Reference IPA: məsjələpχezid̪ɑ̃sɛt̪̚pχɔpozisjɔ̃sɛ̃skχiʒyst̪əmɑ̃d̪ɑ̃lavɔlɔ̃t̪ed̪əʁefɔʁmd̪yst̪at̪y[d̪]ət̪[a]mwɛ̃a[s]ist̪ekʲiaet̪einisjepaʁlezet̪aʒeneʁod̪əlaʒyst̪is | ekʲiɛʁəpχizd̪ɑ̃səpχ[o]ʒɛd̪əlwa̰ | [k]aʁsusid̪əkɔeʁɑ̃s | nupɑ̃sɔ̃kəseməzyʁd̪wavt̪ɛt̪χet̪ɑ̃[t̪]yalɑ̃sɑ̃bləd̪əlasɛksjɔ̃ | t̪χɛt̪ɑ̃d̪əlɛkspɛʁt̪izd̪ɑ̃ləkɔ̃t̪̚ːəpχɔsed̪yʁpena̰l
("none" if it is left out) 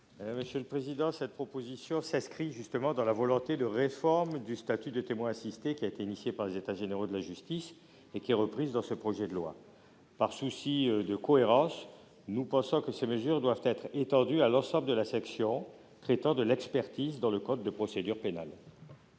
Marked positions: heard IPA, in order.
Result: d̪, e, s, ɔ, p, d̪

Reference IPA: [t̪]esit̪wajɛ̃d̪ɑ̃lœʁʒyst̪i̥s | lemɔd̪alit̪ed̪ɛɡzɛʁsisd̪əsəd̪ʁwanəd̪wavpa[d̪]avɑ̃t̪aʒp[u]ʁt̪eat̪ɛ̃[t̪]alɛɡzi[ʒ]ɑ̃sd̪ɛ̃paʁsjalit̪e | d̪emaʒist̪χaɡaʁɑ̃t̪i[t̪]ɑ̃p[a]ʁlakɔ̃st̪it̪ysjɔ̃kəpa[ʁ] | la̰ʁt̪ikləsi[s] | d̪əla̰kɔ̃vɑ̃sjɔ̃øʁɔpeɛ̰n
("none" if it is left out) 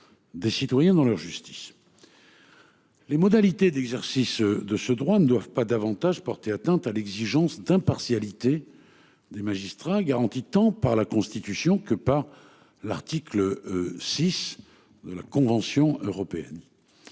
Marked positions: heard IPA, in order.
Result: d̪, d̪, ɔ, t̪, ʒ, t̪, a, ʁ, s

